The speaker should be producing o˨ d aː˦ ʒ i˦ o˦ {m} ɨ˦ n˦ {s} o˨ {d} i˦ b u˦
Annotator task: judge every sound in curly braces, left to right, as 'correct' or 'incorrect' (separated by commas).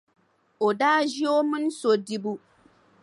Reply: correct, correct, correct